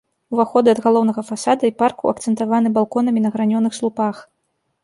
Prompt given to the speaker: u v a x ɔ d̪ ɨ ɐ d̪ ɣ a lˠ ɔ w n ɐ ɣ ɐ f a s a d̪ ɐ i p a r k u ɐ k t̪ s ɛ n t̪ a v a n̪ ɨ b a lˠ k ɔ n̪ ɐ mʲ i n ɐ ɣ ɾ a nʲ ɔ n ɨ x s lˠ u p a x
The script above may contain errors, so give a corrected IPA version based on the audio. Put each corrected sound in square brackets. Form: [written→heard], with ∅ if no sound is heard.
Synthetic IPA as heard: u v a x ɔ d̪ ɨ ɐ d̪ ɣ a lˠ ɔ w n ɐ ɣ ɐ f a s a d̪ ɐ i p a r k u ɐ k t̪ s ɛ n t̪ a v a n̪ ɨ b a lˠ k ɔ n̪ ɐ mʲ i n ɐ ɣ ɾ a nʲ ɔ n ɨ x s lˠ u p a x